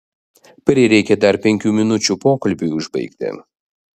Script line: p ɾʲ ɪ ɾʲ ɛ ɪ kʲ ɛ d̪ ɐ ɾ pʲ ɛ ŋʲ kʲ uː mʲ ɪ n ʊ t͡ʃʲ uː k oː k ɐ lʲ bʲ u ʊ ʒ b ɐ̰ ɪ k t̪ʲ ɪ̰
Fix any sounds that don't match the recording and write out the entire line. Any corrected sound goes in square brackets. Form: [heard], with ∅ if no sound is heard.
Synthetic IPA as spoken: p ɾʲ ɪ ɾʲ ɛ ɪ kʲ ɛ d̪ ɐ ɾ pʲ ɛ ŋʲ kʲ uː mʲ ɪ n ʊ t͡ʃʲ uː [p] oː k ɐ lʲ bʲ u ʊ ʒ b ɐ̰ ɪ k t̪ʲ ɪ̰